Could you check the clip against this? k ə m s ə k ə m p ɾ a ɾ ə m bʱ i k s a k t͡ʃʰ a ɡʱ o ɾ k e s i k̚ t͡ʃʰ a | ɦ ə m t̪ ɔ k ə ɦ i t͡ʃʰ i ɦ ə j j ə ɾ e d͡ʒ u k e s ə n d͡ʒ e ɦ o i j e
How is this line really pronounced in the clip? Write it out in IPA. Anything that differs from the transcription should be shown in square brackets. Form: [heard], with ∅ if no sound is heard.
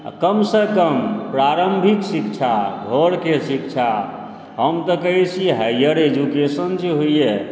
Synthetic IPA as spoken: k ə m s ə k ə m p ɾ a ɾ ə m bʱ i k s [i] k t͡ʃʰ a ɡʱ o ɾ k e s i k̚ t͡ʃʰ a | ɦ ə m t̪ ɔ k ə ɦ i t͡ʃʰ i ɦ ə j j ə ɾ e d͡ʒ u k e s ə n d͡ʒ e ɦ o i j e